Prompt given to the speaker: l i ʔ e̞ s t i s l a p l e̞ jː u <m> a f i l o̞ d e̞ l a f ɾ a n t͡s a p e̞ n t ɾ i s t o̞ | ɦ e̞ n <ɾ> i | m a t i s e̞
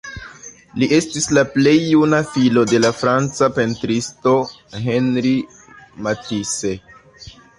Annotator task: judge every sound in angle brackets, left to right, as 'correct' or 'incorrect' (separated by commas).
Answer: incorrect, correct